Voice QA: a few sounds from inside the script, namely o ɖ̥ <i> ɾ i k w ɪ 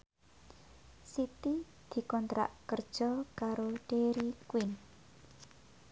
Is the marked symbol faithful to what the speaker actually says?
no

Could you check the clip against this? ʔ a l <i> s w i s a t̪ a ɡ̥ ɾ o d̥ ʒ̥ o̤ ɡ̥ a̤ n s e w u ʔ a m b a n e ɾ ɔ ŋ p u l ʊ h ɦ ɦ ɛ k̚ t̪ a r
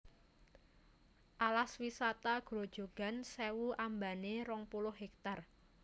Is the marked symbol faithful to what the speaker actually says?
no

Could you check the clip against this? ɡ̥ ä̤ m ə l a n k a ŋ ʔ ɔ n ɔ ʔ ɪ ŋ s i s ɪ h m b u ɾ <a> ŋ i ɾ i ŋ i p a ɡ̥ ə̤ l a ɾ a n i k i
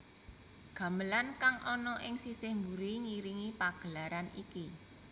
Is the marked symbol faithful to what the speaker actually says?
no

